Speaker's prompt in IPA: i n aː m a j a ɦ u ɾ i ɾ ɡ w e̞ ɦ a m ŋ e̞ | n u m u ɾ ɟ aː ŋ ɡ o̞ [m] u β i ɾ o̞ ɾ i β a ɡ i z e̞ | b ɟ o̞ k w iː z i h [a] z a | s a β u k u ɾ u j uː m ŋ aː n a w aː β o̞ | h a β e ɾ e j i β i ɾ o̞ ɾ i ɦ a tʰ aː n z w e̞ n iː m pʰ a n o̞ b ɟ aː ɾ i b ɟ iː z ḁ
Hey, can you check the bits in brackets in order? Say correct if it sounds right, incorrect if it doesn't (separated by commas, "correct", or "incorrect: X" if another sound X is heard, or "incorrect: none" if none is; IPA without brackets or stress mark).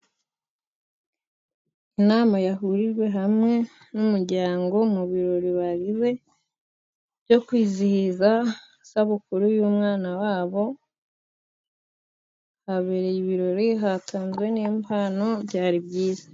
correct, incorrect: i